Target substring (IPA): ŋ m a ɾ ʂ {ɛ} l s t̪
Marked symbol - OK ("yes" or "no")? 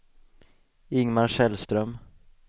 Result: yes